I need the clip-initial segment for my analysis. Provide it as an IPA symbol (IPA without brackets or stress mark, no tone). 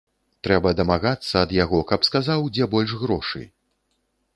t̪